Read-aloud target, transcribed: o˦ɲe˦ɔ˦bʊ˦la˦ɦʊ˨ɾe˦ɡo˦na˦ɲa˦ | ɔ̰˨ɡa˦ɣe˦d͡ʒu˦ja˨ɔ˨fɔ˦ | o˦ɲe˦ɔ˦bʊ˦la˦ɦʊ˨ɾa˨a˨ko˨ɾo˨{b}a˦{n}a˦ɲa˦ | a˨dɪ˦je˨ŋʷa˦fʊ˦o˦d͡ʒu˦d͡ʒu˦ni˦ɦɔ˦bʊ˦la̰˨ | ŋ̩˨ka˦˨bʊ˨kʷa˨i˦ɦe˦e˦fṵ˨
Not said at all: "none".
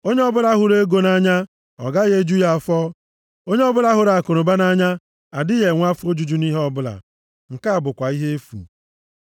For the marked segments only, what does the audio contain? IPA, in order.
b, n

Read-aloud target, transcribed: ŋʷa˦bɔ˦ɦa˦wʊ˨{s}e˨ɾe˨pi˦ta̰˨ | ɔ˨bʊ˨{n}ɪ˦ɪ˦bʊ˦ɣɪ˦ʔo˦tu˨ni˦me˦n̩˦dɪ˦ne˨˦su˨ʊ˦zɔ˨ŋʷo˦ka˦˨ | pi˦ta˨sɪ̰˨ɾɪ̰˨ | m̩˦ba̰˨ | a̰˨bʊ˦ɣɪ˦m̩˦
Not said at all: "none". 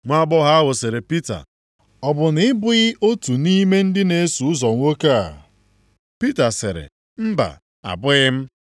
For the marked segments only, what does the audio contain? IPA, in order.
s, n

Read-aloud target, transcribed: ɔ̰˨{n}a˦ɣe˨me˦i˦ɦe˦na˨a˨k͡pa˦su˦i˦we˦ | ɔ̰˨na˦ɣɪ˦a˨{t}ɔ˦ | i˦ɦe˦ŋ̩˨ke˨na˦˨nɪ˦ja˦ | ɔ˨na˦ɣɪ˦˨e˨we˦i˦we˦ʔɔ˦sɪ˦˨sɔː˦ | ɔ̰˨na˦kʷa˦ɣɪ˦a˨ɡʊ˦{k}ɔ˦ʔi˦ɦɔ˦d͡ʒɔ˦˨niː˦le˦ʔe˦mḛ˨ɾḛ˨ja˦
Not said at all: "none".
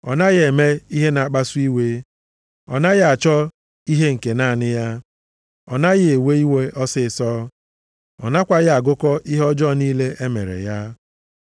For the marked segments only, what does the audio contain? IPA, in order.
n, t͡ʃ, k

